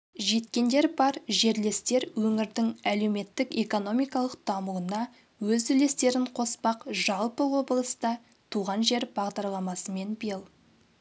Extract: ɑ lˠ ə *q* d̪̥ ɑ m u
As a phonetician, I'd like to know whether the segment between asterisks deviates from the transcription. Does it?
no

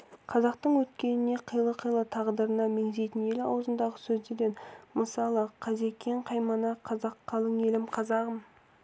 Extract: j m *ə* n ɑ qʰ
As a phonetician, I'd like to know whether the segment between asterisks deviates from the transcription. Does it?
yes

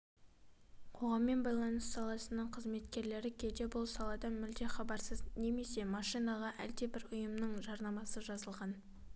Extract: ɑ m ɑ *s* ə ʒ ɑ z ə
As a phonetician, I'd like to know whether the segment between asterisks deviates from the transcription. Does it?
no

